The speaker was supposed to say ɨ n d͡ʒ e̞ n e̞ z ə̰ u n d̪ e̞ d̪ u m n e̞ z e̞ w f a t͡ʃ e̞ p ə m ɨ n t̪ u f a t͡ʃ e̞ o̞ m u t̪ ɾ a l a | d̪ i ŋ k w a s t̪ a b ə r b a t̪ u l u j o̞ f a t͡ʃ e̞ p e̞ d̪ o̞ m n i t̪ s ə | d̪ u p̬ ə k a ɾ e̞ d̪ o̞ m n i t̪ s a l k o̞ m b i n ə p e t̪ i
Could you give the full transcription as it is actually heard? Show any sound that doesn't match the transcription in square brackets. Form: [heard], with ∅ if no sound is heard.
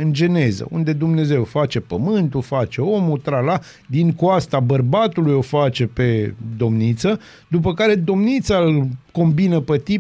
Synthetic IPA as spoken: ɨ n d͡ʒ e̞ n e̞ z ə̰ u n d̪ e̞ d̪ u m n e̞ z e̞ w f a t͡ʃ e̞ p ə m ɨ n t̪ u f a t͡ʃ e̞ o̞ m u t̪ ɾ a l a | d̪ i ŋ k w a s t̪ a b ə r b a t̪ u l u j o̞ f a t͡ʃ e̞ p e̞ d̪ o̞ m n i t̪ s ə | d̪ u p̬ ə k a ɾ e̞ d̪ o̞ m n i t̪ s a l k o̞ m b i n ə p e t̪ i